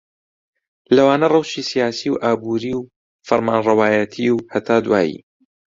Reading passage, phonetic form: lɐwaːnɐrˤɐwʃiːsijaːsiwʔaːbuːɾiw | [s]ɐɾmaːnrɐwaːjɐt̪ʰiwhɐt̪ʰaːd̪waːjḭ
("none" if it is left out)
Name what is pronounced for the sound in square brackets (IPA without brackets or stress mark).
f